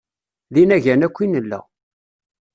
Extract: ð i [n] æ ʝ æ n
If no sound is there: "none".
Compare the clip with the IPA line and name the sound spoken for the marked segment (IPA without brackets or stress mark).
n